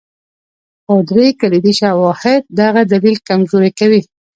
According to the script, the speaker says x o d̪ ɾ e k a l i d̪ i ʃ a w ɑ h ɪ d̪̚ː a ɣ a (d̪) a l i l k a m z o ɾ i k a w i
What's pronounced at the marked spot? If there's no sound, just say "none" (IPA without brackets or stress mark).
d̪